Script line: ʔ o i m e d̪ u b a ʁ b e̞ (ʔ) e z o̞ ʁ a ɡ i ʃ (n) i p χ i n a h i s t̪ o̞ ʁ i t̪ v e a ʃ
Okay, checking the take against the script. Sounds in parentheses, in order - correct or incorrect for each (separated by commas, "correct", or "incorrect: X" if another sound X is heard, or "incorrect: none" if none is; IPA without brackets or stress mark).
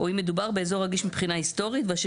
incorrect: none, incorrect: m